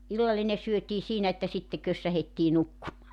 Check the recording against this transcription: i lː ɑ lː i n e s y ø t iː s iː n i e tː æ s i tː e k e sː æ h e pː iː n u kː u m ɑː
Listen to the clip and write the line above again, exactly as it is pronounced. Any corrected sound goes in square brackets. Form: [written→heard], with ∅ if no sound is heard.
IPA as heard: i lː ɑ lː i n e s y ø t iː s iː n [i→æ] e tː æ s i tː e k [e→ø] sː æ h e [pː→tː] iː n u kː u m ɑː